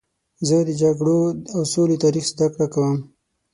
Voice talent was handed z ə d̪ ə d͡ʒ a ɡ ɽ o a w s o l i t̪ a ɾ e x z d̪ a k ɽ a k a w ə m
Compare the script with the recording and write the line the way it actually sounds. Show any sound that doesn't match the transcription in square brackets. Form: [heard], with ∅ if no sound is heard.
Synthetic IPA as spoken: z ə d̪ ə d͡ʒ a ɡ ɽ o a w s o l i t̪ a ɾ [i] x z d̪ a k ɽ a k a w ə m

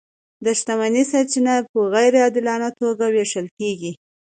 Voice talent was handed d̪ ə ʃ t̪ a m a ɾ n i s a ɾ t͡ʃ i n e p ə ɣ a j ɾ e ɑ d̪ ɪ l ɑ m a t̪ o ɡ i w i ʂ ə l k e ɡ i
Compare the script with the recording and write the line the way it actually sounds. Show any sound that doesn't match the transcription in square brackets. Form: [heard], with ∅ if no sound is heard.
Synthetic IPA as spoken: d̪ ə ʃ t̪ a m a [∅] n i s a ɾ t͡ʃ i n [a] p ə ɣ a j ɾ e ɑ d̪ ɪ l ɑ [n] a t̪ o ɡ [a] w [e] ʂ ə l k e ɡ i

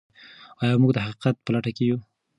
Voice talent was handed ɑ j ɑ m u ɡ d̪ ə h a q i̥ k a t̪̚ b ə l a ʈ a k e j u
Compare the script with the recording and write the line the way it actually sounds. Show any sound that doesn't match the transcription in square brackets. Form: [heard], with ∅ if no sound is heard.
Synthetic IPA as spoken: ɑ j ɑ m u ɡ d̪ ə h a q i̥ [q] a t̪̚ [p] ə l a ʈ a k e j u

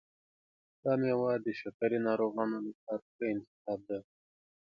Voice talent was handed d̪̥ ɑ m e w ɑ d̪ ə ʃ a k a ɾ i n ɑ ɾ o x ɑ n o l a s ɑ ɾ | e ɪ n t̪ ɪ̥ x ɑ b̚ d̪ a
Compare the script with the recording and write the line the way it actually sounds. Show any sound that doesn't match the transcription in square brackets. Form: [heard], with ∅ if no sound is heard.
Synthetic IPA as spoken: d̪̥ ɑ m e w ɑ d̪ ə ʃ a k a ɾ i n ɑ ɾ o [ɣ] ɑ n o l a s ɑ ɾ | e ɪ n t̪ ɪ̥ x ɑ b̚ d̪ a

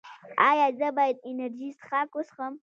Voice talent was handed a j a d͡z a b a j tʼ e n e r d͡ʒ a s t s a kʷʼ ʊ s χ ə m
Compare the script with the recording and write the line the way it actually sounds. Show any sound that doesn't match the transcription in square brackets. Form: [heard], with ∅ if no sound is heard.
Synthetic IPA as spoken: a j a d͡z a b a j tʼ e n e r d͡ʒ [i] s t [χ] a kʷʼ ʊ s χ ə m

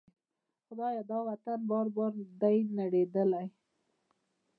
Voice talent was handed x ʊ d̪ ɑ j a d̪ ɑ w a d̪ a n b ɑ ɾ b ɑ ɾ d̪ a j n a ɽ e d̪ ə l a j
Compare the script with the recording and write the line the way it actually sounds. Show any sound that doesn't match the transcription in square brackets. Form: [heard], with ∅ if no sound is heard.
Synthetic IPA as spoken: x ʊ d̪ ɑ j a d̪ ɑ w a [t̪] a n b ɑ ɾ b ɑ ɾ d̪ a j n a ɽ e d̪ ə l a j

